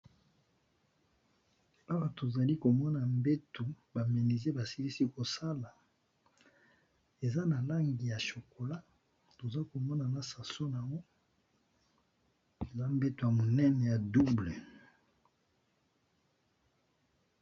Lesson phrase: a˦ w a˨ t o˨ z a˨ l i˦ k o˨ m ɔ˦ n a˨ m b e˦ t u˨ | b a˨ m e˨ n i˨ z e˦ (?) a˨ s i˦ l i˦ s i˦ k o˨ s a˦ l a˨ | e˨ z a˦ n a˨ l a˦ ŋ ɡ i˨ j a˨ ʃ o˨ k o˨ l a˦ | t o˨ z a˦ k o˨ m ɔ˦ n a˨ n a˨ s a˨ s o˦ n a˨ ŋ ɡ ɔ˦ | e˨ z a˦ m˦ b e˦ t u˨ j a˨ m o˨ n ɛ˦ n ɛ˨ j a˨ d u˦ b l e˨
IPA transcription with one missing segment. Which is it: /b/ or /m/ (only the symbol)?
b